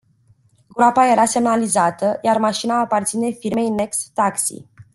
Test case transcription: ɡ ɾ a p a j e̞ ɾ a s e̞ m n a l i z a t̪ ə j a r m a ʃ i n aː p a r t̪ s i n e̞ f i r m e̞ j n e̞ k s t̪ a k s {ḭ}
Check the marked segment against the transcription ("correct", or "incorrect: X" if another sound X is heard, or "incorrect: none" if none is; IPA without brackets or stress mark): correct